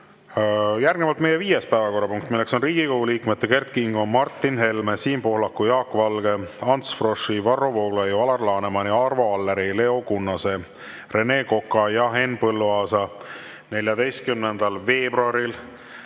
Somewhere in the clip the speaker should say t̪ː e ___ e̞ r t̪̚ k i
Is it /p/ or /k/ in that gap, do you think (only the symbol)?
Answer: k